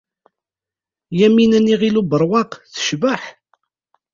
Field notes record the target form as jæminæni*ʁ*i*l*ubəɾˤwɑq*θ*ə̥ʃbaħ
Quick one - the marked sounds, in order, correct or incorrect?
correct, correct, correct

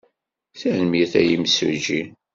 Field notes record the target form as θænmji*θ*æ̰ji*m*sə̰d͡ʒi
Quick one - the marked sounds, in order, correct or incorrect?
correct, correct

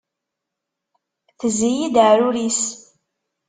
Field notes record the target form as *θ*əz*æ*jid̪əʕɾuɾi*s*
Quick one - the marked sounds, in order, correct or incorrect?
correct, incorrect, correct

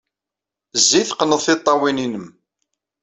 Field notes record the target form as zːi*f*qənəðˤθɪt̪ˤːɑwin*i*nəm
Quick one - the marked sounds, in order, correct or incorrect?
incorrect, correct

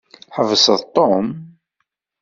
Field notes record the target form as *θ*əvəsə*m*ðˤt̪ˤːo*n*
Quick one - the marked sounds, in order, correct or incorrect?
incorrect, incorrect, incorrect

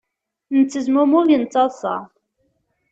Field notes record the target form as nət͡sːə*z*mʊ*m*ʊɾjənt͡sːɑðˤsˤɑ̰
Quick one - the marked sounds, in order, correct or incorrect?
correct, correct

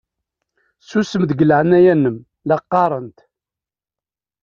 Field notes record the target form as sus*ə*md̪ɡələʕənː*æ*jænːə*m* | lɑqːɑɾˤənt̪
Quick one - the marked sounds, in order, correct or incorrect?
correct, correct, correct

